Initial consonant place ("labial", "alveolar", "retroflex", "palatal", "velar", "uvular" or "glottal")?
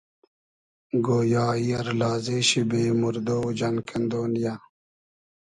velar